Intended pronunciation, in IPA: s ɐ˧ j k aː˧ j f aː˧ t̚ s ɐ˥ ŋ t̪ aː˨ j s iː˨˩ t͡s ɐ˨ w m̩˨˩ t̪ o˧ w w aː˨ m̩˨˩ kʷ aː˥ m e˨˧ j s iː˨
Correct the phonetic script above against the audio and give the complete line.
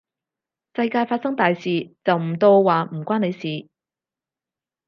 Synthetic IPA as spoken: s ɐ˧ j k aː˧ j f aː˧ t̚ s ɐ˥ ŋ t̪ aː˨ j s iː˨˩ t͡s ɐ˨ w m̩˨˩ t̪ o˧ w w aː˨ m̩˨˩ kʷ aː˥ n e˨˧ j s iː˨